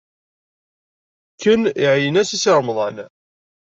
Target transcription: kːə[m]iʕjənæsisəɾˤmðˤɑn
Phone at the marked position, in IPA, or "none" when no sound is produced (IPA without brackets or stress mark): n